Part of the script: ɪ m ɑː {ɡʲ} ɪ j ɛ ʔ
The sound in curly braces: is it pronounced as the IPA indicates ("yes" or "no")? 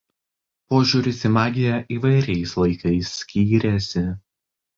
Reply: yes